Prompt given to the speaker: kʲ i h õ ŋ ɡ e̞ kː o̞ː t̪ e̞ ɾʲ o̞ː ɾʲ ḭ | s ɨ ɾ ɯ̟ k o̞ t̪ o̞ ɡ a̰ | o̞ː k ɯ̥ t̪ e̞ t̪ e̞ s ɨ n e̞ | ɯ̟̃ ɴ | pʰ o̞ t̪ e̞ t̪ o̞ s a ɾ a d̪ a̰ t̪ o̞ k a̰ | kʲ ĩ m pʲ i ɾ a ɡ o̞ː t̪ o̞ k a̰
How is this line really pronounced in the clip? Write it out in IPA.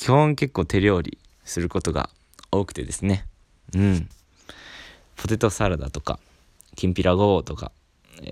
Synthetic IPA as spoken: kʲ i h õ ŋ k e̞ kː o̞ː t̪ e̞ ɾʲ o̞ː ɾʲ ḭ | s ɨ ɾ ɯ̟ k o̞ t̪ o̞ ɡ a̰ | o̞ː k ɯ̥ t̪ e̞ d̪ e̞ s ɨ n e̞ | ɯ̟̃ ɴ | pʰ o̞ t̪ e̞ t̪ o̞ s a ɾ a d̪ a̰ t̪ o̞ k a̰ | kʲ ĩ m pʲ i ɾ a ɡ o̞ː t̪ o̞ k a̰